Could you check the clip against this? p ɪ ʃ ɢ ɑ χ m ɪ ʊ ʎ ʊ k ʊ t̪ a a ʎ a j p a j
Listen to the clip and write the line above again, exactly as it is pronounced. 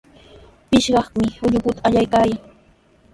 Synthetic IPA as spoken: p ɪ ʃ ɢ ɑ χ m ɪ ʊ ʎ ʊ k ʊ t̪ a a ʎ a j k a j